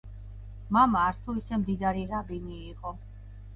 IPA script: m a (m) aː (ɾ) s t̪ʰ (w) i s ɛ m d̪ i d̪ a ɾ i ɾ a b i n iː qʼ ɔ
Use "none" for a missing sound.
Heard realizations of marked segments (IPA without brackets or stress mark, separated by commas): m, ɾ, u